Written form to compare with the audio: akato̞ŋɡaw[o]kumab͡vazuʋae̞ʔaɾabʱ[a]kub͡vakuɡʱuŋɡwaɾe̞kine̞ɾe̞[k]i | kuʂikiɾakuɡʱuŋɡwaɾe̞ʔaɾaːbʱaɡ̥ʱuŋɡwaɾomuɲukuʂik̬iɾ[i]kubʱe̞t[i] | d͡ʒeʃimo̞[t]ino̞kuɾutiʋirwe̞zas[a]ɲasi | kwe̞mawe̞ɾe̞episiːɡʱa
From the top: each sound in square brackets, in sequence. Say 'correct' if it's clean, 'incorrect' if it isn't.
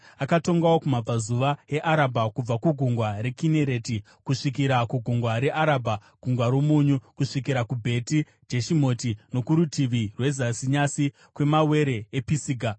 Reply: correct, correct, incorrect, incorrect, correct, correct, incorrect

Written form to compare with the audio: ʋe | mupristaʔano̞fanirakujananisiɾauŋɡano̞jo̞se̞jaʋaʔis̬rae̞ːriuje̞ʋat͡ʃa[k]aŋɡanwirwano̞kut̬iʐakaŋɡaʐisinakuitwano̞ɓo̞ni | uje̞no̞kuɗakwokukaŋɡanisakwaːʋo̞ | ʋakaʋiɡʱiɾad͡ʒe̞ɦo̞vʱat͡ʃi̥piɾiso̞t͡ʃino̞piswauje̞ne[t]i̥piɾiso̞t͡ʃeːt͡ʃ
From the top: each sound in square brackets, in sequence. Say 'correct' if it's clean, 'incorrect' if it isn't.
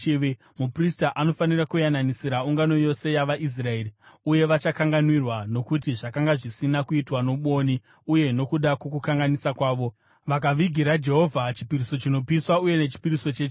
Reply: correct, incorrect

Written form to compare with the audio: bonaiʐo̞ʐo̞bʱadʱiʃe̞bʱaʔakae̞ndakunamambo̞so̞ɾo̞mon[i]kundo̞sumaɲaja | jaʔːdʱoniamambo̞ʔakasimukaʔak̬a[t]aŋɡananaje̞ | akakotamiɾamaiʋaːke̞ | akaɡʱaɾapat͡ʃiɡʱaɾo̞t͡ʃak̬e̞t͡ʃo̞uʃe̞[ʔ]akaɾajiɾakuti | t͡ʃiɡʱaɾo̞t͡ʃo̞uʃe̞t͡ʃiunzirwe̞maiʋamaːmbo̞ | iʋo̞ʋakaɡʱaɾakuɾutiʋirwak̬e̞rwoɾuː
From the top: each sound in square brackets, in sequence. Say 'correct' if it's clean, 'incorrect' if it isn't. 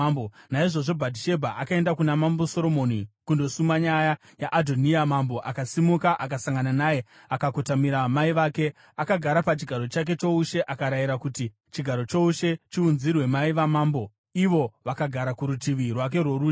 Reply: correct, incorrect, correct

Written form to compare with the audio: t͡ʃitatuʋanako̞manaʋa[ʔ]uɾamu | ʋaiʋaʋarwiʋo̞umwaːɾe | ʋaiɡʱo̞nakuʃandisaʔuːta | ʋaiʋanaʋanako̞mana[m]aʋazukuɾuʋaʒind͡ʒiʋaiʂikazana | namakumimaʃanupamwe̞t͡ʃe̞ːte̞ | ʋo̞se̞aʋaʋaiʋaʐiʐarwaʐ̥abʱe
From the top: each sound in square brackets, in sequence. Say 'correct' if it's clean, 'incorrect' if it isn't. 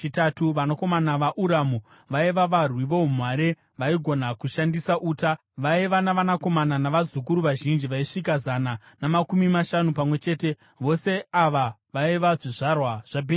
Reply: correct, incorrect

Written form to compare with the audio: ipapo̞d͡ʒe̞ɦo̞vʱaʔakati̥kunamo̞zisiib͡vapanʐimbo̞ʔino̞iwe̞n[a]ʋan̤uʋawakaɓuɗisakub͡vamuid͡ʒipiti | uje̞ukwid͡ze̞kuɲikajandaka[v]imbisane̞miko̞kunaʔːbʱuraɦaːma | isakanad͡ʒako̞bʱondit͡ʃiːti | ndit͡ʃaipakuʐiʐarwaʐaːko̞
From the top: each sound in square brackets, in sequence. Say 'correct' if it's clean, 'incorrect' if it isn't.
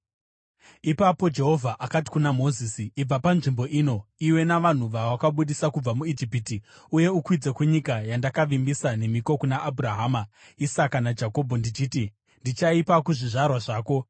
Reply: correct, incorrect

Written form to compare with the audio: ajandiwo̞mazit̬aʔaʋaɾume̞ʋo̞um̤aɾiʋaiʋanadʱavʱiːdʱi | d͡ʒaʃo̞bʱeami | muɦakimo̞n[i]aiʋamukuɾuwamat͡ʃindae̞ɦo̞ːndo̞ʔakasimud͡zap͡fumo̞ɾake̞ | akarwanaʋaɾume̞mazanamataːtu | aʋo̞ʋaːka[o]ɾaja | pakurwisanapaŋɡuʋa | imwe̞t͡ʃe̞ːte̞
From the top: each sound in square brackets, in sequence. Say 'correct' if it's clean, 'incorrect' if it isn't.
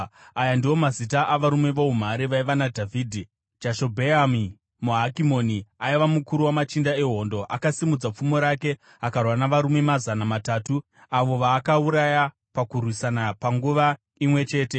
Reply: correct, incorrect

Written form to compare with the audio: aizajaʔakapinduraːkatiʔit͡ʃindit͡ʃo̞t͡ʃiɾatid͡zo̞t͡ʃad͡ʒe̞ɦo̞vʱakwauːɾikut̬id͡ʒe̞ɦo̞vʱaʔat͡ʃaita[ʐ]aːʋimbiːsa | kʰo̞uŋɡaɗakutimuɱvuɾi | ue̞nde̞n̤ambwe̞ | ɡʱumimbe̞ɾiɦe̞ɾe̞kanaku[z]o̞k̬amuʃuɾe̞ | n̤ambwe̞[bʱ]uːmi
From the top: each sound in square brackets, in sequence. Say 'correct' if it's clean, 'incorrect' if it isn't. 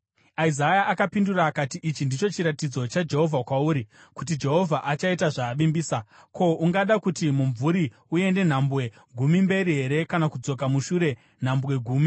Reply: correct, incorrect, incorrect

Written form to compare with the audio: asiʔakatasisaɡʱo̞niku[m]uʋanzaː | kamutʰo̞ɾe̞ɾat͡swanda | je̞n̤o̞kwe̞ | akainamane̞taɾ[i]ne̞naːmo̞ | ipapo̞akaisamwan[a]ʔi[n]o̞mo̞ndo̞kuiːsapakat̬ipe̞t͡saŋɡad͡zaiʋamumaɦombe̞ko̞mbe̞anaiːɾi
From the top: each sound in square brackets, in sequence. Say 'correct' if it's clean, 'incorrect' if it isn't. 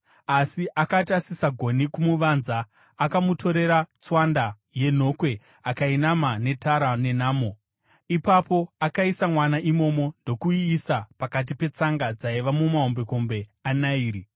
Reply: correct, incorrect, correct, incorrect

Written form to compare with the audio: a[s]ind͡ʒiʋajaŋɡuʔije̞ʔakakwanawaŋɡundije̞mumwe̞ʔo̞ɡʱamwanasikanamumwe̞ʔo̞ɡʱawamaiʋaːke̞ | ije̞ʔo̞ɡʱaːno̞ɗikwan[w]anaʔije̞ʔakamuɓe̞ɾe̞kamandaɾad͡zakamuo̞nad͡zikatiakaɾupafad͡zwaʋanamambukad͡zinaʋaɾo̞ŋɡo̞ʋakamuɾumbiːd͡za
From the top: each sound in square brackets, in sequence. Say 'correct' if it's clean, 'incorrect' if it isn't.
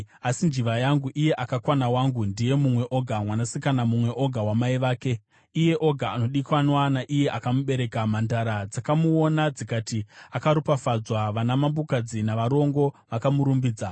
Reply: correct, correct

